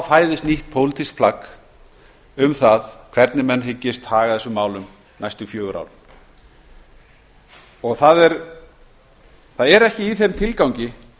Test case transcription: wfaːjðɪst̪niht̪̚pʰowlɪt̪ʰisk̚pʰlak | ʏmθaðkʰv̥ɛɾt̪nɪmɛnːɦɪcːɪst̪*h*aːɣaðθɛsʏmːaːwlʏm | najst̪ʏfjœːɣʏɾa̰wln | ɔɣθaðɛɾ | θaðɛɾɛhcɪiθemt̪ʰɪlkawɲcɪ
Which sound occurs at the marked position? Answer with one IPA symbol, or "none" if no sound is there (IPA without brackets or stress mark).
h